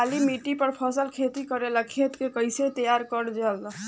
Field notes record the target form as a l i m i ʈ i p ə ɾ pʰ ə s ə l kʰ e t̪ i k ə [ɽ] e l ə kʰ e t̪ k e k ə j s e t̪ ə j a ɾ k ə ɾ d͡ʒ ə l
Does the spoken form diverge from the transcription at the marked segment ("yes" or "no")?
yes